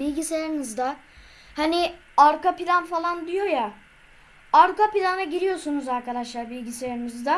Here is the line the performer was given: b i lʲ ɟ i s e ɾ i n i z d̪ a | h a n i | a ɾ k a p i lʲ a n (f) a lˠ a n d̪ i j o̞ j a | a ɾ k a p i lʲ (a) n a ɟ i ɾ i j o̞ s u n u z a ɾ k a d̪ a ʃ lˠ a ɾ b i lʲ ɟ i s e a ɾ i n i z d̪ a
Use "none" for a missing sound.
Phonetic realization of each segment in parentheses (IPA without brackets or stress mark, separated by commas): f, a